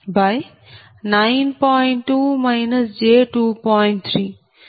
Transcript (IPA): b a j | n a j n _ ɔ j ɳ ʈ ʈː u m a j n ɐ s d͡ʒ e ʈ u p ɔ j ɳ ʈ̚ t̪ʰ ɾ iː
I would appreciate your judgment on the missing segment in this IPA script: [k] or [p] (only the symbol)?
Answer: p